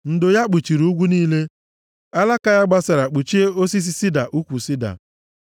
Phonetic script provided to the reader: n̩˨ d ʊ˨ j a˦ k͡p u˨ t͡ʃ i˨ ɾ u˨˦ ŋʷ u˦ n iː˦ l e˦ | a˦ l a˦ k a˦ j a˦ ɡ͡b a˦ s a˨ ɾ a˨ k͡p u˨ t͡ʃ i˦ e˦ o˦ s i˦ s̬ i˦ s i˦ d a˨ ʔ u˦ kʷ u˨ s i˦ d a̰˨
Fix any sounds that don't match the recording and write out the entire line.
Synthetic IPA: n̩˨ d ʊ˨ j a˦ k͡p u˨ t͡ʃ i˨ ɾ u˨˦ ɡʷ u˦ n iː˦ l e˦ | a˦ l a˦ k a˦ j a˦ ɡ͡b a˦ s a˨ ɾ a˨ k͡p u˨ t͡ʃ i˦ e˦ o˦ s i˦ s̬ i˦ s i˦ d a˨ ʔ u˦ kʷ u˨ s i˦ d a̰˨

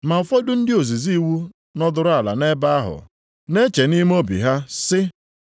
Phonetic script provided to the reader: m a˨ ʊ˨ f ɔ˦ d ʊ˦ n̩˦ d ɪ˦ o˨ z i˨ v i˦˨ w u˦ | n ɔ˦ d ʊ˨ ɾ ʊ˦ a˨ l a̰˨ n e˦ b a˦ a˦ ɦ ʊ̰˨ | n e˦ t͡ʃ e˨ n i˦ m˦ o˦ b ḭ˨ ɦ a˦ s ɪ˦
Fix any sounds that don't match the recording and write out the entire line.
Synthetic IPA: m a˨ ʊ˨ f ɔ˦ d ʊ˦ n̩˦ d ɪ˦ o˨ z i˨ z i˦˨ w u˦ | n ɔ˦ d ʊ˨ ɾ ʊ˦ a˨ l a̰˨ n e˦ b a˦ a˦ ɦ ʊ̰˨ | n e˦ t͡ʃ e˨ n i˦ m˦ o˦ b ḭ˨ ɦ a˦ s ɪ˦

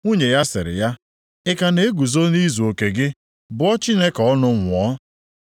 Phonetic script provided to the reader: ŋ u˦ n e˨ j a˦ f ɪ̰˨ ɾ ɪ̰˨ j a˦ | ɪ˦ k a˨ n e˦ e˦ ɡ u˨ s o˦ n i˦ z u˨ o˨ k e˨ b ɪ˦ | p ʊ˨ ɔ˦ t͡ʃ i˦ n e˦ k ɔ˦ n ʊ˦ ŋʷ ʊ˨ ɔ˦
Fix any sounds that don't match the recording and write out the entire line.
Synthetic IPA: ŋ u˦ ɲ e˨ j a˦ s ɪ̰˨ ɾ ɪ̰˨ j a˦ | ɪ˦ k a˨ n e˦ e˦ ɡ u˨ z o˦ n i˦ z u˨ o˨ k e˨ ɡ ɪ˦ | b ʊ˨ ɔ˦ t͡ʃ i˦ n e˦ k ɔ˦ n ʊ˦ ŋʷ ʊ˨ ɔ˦

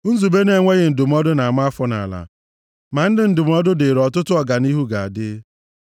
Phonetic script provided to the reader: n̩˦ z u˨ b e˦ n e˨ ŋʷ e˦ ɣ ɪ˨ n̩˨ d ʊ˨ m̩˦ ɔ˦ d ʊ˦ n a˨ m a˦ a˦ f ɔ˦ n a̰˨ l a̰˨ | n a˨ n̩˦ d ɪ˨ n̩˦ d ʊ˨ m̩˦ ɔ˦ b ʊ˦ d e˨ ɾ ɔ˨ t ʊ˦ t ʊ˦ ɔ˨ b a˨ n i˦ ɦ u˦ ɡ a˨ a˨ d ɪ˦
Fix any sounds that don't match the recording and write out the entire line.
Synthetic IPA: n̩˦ z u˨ b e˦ n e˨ ŋʷ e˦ ɣ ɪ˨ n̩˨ d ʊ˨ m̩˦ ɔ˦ d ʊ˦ n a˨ m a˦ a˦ f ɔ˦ n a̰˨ l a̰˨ | m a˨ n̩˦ d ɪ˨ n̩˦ d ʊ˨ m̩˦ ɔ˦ d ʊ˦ d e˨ ɾ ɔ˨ t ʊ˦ t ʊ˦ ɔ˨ ɡ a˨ n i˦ ɦ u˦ ɡ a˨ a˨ d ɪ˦

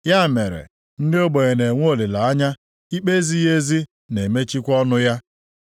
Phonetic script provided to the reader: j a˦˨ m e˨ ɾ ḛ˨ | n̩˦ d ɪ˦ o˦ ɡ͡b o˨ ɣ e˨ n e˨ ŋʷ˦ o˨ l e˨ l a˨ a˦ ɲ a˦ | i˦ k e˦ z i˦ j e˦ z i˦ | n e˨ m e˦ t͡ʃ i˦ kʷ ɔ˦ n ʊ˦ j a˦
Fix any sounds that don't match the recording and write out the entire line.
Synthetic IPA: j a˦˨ m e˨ ɾ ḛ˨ | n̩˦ d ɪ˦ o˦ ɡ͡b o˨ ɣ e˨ n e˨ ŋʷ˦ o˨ l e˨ l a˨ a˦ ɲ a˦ | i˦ k͡p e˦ z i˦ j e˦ z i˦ | n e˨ m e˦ t͡ʃ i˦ kʷ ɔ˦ n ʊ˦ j a˦

